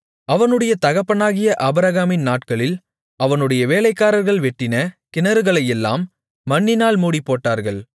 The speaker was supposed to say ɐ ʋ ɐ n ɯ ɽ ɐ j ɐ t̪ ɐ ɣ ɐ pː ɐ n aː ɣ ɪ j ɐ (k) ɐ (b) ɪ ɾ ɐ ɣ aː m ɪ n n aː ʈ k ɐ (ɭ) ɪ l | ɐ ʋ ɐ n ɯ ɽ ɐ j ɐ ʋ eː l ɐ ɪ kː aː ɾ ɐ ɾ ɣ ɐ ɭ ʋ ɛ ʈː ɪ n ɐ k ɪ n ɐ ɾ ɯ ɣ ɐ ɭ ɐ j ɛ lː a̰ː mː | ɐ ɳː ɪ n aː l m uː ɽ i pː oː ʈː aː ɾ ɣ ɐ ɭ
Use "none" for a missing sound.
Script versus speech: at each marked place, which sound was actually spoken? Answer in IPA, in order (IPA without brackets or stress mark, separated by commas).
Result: ʔ, b, ɭ